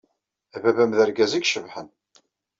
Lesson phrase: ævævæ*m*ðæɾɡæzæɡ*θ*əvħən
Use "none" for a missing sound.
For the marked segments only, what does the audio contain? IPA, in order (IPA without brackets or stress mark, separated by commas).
m, ʃ